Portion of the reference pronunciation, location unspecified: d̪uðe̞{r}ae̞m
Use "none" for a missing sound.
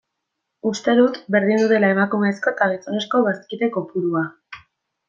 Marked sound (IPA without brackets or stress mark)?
l